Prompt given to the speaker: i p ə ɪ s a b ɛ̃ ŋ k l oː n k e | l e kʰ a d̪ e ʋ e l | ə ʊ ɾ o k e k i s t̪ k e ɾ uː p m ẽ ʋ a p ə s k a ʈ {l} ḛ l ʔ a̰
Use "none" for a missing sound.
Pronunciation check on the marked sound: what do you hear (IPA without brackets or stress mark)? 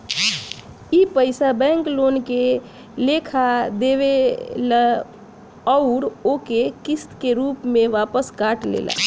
l